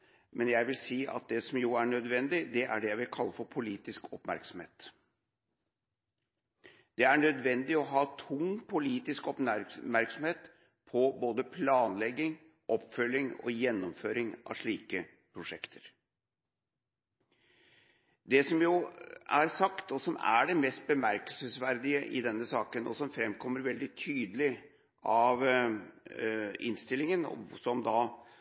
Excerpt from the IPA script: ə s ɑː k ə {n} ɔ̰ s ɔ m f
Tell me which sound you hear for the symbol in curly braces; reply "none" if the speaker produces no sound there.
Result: n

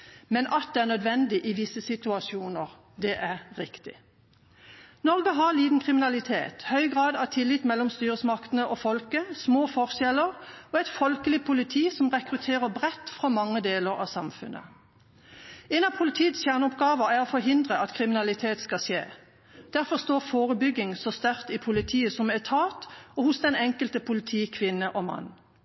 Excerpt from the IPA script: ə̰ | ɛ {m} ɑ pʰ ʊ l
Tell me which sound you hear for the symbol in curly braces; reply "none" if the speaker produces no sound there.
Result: n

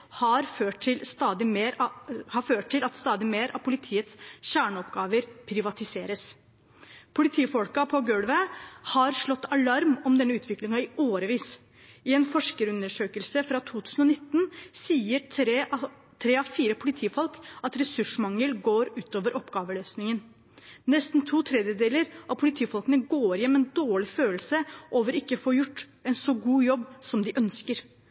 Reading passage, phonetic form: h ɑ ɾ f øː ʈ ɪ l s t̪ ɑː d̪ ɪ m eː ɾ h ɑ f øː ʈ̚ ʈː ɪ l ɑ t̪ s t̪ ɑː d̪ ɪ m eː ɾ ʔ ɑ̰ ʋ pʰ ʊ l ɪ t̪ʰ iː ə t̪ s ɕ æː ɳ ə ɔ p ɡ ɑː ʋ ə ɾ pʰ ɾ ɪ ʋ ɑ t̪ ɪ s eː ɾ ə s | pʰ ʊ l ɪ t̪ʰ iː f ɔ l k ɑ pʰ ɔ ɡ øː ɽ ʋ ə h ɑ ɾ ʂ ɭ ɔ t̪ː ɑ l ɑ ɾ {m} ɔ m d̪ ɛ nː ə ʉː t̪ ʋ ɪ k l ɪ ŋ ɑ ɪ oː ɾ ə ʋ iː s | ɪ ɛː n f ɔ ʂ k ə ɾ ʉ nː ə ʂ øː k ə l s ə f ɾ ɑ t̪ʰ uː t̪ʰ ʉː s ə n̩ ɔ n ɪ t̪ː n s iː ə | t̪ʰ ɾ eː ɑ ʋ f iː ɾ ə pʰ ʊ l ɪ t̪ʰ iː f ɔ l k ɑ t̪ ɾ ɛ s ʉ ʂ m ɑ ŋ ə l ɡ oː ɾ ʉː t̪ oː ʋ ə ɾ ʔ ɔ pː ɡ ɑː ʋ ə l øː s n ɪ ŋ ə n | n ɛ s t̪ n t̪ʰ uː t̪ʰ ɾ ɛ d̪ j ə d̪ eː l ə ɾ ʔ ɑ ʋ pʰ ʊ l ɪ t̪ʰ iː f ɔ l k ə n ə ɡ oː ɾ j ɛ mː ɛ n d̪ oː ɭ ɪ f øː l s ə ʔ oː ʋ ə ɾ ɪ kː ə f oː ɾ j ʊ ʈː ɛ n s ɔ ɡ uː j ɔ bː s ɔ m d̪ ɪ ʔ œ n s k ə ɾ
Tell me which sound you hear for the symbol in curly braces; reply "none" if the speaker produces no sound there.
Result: m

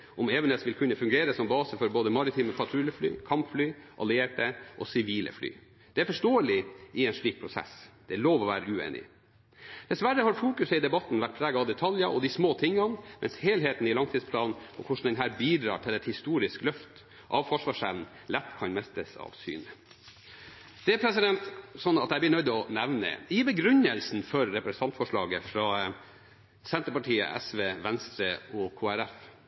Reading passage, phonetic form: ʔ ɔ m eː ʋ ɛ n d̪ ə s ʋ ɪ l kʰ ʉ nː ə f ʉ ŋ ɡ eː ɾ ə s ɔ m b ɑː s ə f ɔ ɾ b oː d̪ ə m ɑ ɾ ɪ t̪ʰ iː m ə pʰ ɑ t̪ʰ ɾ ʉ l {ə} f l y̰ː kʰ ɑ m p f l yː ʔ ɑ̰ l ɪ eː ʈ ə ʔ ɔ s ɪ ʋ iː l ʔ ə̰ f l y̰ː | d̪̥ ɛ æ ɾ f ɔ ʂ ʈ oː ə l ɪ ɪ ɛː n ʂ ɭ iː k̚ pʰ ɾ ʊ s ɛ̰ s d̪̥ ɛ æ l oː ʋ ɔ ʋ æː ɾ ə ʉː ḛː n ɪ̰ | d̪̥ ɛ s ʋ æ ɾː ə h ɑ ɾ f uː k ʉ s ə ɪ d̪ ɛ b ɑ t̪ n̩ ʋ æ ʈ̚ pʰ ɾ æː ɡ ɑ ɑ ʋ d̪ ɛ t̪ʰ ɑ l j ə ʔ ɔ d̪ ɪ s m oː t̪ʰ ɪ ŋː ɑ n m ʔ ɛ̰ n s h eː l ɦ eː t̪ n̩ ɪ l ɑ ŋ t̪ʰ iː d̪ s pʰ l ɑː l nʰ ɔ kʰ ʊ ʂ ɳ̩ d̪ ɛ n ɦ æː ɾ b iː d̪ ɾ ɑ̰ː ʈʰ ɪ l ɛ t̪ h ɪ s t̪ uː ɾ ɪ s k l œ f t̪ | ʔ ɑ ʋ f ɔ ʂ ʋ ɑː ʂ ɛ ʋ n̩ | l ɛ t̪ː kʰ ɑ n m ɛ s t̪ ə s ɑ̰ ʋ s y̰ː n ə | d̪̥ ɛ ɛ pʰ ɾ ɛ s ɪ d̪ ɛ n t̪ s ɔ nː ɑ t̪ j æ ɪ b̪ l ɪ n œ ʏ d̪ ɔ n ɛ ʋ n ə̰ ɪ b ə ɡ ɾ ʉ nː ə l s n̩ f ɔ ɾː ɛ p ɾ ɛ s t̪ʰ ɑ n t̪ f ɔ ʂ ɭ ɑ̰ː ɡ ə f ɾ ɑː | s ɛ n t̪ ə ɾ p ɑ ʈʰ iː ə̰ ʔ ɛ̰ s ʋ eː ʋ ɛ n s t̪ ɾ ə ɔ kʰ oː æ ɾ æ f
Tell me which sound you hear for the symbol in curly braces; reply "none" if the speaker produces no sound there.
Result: ə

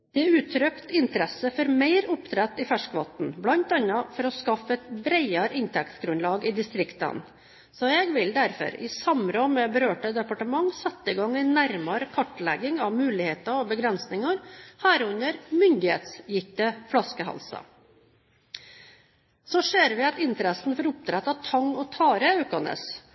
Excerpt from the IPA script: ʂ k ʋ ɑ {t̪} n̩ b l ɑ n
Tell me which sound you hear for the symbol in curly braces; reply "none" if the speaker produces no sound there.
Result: t̪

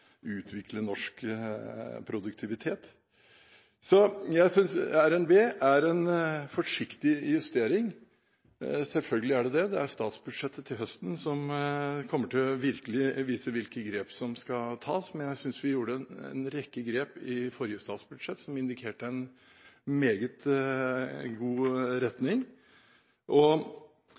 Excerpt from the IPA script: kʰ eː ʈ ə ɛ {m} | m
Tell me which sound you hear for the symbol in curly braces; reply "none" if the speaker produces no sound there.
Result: n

